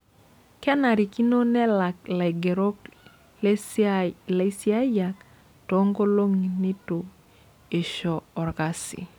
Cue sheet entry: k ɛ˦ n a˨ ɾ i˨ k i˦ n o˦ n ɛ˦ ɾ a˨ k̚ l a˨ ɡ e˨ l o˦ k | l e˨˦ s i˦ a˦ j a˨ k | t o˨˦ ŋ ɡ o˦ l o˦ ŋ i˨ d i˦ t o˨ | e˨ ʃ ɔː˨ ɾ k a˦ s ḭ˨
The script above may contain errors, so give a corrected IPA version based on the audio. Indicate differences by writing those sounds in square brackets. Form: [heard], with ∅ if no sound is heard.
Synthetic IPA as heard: k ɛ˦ n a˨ ɾ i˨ k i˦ n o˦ n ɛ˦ [l] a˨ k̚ l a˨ ɡ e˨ [ɾ] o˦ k | l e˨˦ s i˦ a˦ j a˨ k | t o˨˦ ŋ ɡ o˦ l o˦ ŋ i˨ [n] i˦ t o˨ | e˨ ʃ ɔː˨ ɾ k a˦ s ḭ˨